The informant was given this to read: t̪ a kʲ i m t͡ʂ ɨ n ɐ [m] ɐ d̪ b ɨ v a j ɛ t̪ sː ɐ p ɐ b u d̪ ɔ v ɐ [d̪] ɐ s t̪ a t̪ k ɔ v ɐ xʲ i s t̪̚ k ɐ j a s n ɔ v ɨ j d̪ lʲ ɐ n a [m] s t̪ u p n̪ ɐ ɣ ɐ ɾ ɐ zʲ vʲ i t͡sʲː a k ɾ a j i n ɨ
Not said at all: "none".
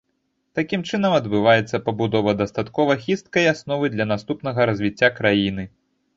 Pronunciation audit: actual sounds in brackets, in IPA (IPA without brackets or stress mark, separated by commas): m, d̪, none